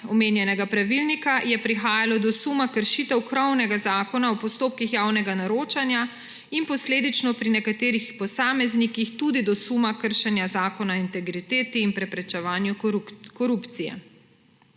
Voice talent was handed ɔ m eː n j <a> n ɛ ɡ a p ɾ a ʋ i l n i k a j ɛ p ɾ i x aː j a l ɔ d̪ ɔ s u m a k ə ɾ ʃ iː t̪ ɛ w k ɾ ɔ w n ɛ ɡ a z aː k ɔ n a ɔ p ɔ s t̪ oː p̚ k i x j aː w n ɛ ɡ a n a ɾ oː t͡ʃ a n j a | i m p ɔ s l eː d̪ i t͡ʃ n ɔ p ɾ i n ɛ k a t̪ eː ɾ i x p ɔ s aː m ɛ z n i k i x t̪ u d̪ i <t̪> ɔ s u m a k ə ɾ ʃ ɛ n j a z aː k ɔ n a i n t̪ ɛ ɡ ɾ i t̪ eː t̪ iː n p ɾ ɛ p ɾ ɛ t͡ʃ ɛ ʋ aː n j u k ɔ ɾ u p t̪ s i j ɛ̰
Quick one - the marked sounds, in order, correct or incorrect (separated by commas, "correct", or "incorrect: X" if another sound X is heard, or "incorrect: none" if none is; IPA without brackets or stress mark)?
incorrect: ɛ, incorrect: d̪